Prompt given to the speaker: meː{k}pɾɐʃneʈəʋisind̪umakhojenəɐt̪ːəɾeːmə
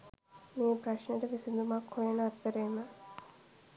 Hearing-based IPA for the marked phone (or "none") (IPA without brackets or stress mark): none